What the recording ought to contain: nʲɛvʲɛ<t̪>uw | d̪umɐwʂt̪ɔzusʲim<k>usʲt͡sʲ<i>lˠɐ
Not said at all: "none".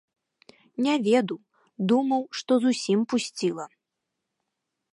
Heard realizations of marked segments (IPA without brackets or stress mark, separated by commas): d̪, p, i